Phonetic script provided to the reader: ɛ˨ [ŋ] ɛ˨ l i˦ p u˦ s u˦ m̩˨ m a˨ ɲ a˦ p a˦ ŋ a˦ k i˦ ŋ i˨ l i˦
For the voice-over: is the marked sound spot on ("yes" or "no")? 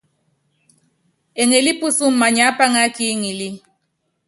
yes